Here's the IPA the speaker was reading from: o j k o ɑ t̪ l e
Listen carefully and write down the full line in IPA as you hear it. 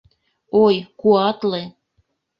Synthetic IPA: o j k u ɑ t̪ l e